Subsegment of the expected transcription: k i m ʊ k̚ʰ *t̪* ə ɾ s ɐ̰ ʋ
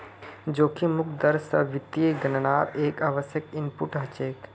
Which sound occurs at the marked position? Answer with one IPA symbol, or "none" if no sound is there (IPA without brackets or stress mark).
d̪